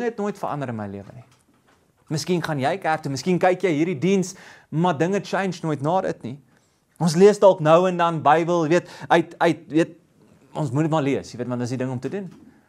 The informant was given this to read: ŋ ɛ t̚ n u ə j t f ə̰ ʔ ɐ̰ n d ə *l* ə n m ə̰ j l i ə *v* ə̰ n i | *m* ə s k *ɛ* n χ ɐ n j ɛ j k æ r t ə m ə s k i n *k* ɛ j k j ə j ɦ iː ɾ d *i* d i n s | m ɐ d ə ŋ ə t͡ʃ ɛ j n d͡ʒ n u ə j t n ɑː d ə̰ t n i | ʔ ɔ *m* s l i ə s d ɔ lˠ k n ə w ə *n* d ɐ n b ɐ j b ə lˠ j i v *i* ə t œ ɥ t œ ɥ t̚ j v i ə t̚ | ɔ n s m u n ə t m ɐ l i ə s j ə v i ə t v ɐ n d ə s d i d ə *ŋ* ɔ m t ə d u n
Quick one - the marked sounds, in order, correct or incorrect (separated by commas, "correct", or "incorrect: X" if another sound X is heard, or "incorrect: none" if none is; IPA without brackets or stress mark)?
incorrect: ɾ, correct, correct, incorrect: i, correct, correct, incorrect: n, correct, correct, correct